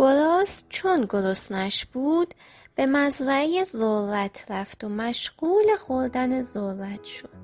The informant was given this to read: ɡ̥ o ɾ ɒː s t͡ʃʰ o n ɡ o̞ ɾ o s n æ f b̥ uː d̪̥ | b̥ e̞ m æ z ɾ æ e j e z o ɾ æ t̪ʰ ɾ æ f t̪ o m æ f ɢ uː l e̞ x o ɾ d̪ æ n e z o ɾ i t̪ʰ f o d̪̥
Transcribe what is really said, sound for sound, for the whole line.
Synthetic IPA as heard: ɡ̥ o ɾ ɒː s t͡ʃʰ o n ɡ o̞ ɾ o s n æ ʃ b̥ uː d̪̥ | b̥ e̞ m æ z ɾ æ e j e z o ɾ æ t̪ʰ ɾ æ f t̪ o m æ ʃ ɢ uː l e̞ x o ɾ d̪ æ n e z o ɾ æ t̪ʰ ʃ o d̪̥